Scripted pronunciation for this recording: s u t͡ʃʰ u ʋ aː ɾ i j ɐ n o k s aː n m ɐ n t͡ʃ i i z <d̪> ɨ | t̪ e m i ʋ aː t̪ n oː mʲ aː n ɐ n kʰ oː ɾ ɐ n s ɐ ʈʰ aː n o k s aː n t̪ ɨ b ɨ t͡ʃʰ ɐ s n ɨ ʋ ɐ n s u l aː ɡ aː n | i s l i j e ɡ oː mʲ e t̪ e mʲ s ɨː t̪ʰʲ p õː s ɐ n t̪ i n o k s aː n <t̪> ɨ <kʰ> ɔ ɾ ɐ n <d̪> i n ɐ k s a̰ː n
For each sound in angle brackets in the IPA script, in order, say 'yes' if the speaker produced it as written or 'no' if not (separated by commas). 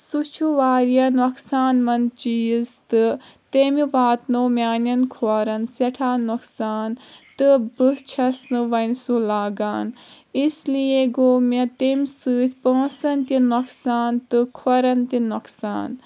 no, yes, yes, no